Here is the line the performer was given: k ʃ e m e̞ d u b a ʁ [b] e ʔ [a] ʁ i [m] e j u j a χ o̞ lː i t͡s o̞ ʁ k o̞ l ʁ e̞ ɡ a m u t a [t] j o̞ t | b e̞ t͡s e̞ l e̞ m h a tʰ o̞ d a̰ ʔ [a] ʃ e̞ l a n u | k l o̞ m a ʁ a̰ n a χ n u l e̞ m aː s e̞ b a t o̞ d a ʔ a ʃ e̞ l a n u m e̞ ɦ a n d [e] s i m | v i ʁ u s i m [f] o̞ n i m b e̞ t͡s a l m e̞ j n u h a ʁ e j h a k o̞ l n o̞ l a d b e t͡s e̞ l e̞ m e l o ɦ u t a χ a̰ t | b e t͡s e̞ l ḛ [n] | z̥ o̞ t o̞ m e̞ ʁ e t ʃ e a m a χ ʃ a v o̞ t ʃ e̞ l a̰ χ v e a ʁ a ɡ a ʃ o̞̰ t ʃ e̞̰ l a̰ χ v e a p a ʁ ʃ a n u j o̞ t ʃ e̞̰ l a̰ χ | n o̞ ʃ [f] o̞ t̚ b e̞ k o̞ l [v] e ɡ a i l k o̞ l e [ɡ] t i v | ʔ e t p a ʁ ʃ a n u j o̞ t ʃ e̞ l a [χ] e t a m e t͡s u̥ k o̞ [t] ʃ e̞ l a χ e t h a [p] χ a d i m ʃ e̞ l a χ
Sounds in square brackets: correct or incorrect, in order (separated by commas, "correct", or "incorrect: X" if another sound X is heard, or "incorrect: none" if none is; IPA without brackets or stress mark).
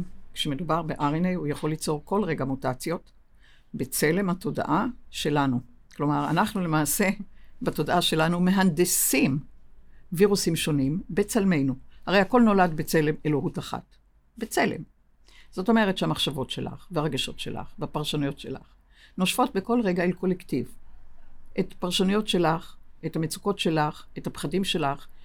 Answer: correct, correct, incorrect: n, incorrect: t͡s, correct, correct, incorrect: ʃ, incorrect: m, correct, incorrect: ʁ, incorrect: k, correct, correct, correct